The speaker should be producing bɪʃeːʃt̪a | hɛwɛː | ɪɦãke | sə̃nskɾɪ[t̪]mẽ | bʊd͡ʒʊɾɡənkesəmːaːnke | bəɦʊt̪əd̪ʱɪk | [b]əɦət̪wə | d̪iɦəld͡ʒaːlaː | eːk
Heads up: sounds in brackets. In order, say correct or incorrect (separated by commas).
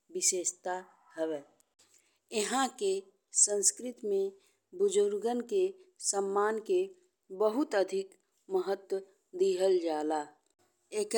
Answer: correct, incorrect